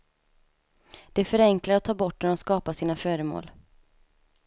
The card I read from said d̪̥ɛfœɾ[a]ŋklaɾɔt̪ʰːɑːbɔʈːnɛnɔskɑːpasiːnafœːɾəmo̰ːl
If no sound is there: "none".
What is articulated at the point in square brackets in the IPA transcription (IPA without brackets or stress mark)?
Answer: ɛ